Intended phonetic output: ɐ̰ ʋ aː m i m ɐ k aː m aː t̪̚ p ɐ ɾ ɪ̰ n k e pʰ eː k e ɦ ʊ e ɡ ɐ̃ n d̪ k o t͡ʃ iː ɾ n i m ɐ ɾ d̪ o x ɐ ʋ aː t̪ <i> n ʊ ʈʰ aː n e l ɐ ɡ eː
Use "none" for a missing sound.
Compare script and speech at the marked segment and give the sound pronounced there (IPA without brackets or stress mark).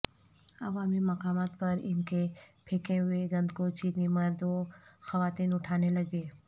iː